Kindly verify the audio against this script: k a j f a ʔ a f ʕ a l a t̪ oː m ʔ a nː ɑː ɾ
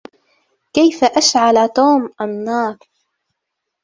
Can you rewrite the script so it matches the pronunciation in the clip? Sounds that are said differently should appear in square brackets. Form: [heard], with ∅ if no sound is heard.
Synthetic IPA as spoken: k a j f a ʔ a [ʃ] ʕ a l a t̪ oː m ʔ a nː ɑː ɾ